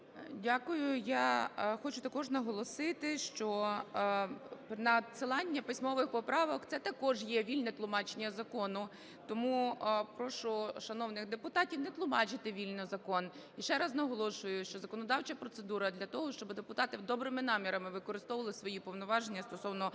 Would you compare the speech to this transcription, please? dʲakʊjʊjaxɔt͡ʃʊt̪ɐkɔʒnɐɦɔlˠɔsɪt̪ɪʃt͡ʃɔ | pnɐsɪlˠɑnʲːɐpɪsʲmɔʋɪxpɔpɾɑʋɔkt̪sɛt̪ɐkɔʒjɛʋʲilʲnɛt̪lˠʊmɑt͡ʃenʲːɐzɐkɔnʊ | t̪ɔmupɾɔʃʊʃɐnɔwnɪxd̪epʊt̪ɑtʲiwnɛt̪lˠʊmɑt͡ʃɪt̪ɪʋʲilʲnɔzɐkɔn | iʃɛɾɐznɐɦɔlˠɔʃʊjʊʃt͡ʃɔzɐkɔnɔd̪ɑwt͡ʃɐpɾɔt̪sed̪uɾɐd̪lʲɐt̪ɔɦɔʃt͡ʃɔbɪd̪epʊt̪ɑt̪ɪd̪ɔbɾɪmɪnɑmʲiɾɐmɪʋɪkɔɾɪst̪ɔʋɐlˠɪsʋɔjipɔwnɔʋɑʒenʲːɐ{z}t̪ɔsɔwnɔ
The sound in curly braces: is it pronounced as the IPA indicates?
no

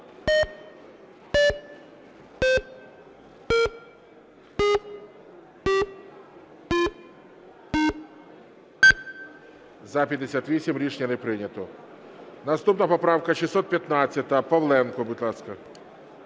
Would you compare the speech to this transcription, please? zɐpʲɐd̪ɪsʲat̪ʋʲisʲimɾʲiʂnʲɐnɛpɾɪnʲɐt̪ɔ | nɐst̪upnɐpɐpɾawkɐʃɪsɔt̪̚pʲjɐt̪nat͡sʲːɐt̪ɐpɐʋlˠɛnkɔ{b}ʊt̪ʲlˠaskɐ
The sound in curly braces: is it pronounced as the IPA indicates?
yes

